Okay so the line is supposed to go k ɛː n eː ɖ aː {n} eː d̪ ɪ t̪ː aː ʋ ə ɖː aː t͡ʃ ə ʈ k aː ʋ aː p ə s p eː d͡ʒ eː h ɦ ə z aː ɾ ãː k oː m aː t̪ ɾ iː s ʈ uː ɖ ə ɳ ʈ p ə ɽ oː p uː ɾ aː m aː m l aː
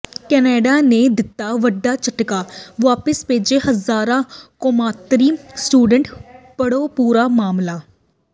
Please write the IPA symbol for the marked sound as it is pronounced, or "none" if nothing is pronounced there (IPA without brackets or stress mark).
n